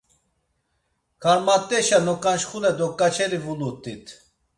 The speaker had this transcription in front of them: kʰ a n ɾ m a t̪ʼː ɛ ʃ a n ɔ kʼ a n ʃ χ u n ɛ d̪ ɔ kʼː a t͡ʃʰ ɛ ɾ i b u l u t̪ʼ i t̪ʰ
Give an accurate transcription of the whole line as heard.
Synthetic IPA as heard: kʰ a ɾ m a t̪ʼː ɛ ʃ a n ɔ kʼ a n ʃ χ u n ɛ d̪ ɔ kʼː a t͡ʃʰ ɛ ɾ i v u l u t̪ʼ i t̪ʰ